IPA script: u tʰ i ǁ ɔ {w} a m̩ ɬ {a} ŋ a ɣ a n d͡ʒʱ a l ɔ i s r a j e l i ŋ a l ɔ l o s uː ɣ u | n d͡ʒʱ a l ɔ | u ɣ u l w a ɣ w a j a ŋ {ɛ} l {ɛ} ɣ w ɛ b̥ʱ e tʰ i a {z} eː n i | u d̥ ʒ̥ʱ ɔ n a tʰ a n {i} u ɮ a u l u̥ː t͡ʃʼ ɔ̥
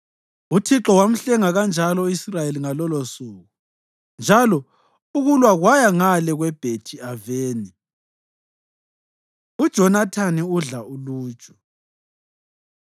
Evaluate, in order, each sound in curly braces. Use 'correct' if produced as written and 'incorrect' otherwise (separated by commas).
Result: correct, incorrect, incorrect, correct, incorrect, correct